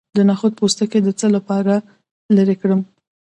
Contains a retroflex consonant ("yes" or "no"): yes